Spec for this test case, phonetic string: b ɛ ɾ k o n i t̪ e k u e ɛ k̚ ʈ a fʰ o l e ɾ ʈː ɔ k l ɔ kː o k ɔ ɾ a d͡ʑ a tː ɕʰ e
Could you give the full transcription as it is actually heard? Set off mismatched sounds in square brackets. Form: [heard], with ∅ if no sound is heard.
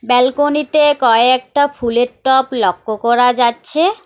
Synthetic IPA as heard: b ɛ [l] k o n i t̪ e k [ɔ] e ɛ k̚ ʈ a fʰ [u] l e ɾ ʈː ɔ [p] l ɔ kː o k ɔ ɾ a d͡ʑ a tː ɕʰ e